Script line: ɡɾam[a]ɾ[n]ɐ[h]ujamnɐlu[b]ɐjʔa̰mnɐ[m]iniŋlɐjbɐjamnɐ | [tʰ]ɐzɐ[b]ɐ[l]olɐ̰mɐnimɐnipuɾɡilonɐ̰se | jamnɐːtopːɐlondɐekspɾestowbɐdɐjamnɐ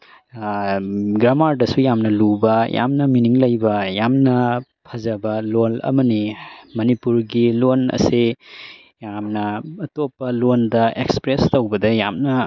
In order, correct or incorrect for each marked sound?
correct, incorrect: d, incorrect: s, correct, correct, incorrect: pʰ, correct, correct

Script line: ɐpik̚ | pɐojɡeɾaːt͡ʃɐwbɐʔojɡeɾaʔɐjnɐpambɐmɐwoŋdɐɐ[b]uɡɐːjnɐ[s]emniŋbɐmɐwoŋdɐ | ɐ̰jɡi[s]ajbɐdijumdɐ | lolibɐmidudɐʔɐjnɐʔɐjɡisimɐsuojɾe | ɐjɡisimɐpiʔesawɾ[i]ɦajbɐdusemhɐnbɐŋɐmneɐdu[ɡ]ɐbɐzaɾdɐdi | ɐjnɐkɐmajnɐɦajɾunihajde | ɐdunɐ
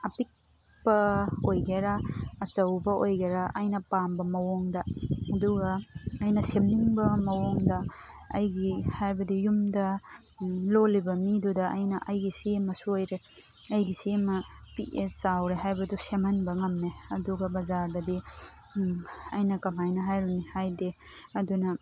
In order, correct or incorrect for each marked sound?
incorrect: d, correct, incorrect: h, incorrect: e, correct

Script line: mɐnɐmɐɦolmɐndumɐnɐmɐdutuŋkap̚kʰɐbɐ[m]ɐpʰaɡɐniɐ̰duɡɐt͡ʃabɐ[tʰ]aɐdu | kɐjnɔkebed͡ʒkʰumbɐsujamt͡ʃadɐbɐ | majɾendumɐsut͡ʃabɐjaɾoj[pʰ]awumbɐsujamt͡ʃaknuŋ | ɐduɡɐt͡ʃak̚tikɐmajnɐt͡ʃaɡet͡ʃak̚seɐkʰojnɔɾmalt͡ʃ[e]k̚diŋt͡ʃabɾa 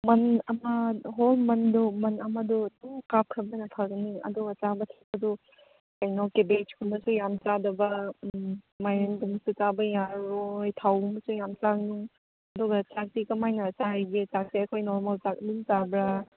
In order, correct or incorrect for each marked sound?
incorrect: n, correct, incorrect: tʰ, incorrect: a

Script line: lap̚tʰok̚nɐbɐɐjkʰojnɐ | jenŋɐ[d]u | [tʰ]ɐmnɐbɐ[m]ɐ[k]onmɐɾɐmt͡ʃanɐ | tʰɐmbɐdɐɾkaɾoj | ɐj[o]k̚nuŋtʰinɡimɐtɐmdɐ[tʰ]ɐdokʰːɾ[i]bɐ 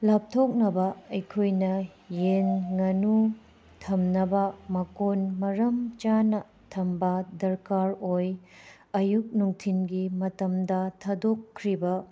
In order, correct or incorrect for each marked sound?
incorrect: n, correct, correct, correct, incorrect: u, correct, correct

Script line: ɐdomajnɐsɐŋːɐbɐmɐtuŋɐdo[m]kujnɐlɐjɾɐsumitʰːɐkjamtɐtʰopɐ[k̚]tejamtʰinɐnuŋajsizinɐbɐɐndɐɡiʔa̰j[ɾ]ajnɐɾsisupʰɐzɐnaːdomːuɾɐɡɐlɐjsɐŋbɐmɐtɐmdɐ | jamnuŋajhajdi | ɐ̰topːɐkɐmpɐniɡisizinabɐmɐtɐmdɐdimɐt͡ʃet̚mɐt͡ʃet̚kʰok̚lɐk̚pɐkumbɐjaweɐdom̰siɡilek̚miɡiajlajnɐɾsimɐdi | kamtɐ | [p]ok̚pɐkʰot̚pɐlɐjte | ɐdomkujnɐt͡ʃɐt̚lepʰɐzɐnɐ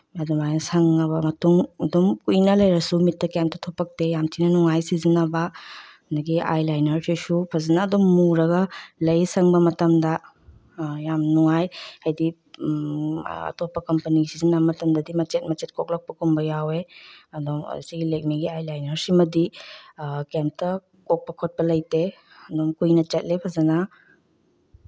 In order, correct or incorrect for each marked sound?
correct, correct, incorrect: l, incorrect: k

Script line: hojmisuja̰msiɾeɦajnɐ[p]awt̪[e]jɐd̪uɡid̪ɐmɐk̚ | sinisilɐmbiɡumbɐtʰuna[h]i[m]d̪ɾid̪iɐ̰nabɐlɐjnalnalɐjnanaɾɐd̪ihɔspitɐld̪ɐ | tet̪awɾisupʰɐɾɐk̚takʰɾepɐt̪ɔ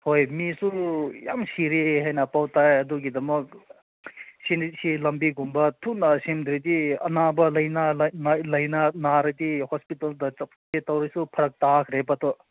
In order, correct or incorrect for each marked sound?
correct, incorrect: a, incorrect: s, correct

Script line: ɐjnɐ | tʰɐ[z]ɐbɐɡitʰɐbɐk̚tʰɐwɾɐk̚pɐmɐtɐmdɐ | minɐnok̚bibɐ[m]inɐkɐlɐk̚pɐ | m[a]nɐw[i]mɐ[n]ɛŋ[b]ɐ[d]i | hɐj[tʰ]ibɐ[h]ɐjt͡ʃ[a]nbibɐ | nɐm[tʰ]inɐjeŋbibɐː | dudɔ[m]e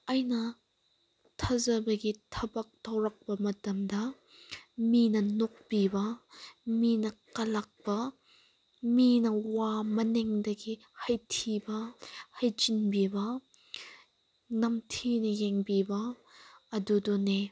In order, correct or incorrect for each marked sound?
correct, correct, incorrect: i, incorrect: a, correct, incorrect: d, incorrect: ɡ, correct, correct, incorrect: i, correct, incorrect: n

